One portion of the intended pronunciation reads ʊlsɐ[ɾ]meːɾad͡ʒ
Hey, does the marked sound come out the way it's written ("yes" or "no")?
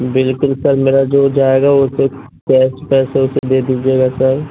yes